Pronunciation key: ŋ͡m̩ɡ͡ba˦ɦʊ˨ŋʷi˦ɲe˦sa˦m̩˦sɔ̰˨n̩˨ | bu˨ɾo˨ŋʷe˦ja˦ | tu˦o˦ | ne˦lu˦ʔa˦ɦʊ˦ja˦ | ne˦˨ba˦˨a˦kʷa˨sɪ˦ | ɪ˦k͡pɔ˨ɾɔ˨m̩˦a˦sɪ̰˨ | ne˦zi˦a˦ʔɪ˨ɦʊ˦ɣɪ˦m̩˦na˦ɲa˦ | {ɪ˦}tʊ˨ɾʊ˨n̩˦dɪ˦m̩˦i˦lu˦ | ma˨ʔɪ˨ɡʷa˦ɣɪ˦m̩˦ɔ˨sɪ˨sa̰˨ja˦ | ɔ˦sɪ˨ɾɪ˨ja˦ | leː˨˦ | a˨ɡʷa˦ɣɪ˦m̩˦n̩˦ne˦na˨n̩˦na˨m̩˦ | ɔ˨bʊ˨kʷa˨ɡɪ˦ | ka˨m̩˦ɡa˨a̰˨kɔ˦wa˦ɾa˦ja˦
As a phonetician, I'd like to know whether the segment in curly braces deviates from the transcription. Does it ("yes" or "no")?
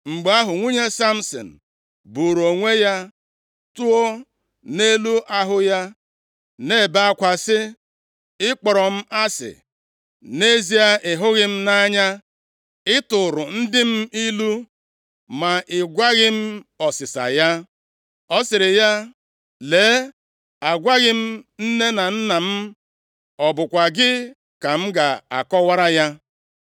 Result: no